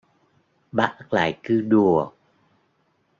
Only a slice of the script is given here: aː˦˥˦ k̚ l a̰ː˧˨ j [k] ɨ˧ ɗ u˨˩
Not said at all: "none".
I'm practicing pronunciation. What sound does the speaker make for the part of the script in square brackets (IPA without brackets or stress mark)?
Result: k